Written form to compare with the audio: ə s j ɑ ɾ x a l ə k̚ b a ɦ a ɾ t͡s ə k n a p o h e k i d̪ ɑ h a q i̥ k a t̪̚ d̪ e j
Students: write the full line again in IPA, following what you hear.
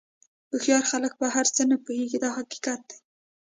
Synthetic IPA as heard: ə x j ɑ ɾ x a l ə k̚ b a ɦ a ɾ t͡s ə n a p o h e ɡ i d̪ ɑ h a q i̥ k a t̪̚ d̪ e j